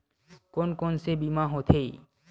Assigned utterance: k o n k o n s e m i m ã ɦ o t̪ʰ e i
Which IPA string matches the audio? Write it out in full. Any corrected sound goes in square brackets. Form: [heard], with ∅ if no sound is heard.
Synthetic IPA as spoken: k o n k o n s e [b] i m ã ɦ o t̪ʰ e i

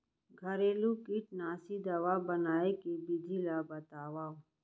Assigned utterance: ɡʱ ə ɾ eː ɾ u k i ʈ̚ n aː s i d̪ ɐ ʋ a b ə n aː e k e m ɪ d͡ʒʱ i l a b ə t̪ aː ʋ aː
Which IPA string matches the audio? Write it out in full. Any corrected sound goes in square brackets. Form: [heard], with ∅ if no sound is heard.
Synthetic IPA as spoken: ɡʱ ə ɾ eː [l] u k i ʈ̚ n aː s i d̪ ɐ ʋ a b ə n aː e k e [b] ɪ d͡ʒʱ i l a b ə t̪ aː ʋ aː

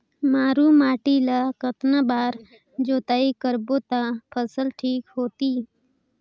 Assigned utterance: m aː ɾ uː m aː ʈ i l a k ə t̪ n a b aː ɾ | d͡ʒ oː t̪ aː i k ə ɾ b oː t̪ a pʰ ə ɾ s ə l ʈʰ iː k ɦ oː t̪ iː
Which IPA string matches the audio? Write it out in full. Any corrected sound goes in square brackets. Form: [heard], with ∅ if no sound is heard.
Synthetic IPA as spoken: m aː ɾ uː m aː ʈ i l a k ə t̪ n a b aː ɾ | d͡ʒ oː t̪ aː i k ə ɾ b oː t̪ a pʰ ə [∅] s ə l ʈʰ iː k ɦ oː t̪ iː

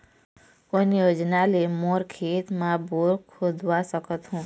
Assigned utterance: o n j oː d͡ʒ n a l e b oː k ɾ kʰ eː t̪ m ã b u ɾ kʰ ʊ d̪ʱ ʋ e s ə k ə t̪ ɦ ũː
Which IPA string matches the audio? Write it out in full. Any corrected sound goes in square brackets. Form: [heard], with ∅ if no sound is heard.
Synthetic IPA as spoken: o n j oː d͡ʒ n a l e [m] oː [∅] ɾ kʰ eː t̪ m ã b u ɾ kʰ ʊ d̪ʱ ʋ [a] s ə k ə t̪ ɦ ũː

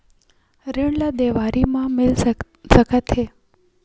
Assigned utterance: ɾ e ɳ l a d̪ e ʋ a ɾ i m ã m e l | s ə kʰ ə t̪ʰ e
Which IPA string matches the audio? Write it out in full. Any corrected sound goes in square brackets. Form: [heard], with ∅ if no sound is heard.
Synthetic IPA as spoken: ɾ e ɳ l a d̪ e ʋ a ɾ i m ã m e l | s ə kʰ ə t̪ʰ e

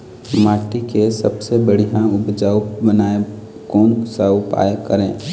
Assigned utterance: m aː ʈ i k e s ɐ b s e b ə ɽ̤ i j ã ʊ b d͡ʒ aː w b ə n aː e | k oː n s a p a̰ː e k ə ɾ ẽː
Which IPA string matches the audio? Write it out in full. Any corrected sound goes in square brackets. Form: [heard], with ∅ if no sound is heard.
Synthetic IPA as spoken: m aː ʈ i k e s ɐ b s e b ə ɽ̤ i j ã ʊ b d͡ʒ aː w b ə n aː e | k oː n s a p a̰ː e k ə ɾ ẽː

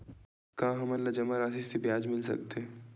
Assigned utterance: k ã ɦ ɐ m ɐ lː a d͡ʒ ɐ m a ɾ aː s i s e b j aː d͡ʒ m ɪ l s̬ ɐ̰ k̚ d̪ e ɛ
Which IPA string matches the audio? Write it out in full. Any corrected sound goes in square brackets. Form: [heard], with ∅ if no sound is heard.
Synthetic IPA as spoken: k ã ɦ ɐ m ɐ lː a d͡ʒ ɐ m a ɾ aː s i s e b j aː d͡ʒ m ɪ l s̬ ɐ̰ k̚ [t̪] e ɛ

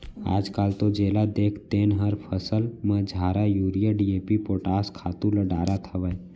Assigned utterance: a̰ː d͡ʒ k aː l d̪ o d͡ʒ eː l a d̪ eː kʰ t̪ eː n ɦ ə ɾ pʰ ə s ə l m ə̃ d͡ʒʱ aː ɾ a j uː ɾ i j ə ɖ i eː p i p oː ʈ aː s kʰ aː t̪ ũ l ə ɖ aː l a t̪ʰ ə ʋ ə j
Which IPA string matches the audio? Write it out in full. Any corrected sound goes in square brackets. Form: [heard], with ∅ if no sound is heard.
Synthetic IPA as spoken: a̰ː d͡ʒ k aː l [t̪] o d͡ʒ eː l a d̪ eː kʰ t̪ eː n ɦ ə ɾ pʰ ə s ə l m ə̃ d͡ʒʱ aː ɾ a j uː ɾ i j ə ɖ i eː p i p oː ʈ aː s kʰ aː t̪ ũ l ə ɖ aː [ɾ] a t̪ʰ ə ʋ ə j

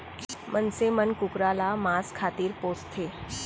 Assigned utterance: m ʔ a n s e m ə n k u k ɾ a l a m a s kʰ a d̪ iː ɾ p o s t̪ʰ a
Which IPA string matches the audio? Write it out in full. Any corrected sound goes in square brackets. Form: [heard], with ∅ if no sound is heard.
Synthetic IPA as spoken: m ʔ [ə] n s e m ə n k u k ɾ a l a m a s kʰ a [t̪] iː ɾ p o s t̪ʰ [e]

